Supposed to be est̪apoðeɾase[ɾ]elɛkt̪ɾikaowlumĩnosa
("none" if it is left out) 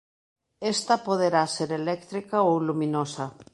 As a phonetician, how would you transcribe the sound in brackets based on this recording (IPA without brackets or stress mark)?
ɾ